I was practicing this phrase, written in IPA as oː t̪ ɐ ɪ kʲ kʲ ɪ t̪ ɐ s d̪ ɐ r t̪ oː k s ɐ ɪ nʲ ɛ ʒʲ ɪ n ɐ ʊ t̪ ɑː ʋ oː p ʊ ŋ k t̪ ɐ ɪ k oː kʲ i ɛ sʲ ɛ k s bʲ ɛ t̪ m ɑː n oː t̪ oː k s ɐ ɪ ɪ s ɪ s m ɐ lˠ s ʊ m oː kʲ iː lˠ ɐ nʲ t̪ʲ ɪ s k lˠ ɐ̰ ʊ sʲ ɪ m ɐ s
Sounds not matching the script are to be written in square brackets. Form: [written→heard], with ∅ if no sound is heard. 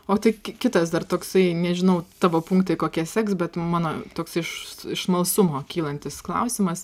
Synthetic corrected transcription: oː t̪ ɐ ɪ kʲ kʲ ɪ t̪ ɐ s d̪ ɐ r t̪ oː k s ɐ ɪ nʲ ɛ ʒʲ ɪ n ɐ ʊ t̪ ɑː ʋ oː p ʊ ŋ k t̪ ɐ ɪ k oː kʲ i ɛ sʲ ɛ k s bʲ ɛ t̪ m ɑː n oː t̪ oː k s ɐ ɪ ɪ [s→ʃ] ɪ [s→ʃ] m ɐ lˠ s ʊ m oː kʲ iː lˠ ɐ nʲ t̪ʲ ɪ s k lˠ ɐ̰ ʊ sʲ ɪ m ɐ s